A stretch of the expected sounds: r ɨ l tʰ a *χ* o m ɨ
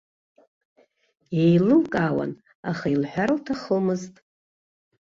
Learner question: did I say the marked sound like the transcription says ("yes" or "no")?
yes